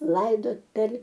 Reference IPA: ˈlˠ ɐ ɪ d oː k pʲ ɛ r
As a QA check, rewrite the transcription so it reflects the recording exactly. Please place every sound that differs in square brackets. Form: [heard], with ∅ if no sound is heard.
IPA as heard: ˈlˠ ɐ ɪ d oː [t] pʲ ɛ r